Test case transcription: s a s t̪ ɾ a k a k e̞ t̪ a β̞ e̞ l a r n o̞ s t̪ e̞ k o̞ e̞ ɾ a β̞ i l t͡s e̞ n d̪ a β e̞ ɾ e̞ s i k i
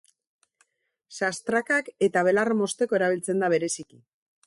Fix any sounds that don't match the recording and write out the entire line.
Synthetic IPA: s a s t̪ ɾ a k a k e̞ t̪ a β̞ e̞ l a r m o̞ s t̪ e̞ k o̞ e̞ ɾ a β̞ i l t͡s e̞ n d̪ a β e̞ ɾ e̞ s i k i